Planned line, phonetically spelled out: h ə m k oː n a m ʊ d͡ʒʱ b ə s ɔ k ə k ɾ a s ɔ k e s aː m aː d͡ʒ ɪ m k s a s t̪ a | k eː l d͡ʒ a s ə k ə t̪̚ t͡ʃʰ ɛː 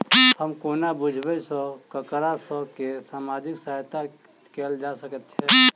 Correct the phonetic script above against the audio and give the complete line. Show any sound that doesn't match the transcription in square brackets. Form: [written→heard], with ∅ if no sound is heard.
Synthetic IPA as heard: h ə m k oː n a [m→b] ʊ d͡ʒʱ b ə s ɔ k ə k ɾ a s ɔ k e s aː m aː d͡ʒ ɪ [m→∅] k s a [s→∅] t̪ a | k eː l d͡ʒ a s ə k ə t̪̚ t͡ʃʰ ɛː